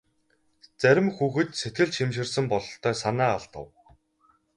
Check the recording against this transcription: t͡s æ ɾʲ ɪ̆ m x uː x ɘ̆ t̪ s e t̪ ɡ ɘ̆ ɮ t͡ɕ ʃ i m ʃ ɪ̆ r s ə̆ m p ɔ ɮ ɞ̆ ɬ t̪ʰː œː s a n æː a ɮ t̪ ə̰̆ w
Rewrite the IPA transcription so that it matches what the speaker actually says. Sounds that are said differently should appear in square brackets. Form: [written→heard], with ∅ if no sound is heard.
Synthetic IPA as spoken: t͡s æ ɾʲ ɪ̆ m x uː x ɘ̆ t̪ s e t̪ ɡ ɘ̆ ɮ t͡ɕ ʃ i m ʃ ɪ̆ r s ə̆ m p ɔ ɮ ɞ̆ ɬ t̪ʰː œː s a n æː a ɮ t̪ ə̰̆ w